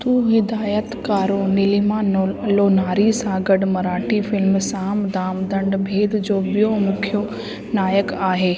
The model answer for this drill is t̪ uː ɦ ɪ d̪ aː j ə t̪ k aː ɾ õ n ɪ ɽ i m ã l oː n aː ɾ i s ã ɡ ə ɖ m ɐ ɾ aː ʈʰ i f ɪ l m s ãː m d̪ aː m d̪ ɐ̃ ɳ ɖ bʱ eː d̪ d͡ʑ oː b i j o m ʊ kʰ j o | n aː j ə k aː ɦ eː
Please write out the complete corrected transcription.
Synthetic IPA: t̪ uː ɦ ɪ d̪ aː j ə t̪ k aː ɾ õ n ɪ l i m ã l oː n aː ɾ i s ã ɡ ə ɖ m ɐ ɾ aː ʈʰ i f ɪ l m s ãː m d̪ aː m d̪ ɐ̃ ɳ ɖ bʱ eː d̪ d͡ʑ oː b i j o m ʊ kʰ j o | n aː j ə k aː ɦ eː